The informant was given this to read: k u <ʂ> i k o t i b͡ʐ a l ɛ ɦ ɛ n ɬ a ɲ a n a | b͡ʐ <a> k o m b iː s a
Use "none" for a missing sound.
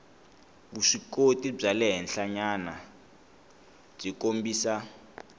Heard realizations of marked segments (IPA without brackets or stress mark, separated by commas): ʂ, i